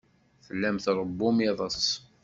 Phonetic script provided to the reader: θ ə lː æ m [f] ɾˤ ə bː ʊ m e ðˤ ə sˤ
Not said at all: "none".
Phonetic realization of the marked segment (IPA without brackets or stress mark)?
θ